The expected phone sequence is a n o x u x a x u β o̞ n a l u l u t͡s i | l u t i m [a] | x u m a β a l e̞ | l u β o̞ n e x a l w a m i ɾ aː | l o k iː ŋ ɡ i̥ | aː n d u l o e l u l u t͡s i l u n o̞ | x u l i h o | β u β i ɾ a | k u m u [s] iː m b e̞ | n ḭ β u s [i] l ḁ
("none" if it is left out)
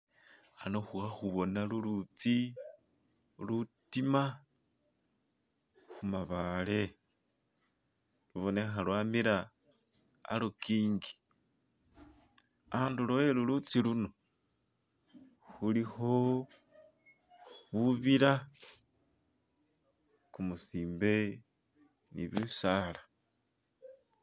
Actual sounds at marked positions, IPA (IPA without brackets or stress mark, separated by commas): a, s, a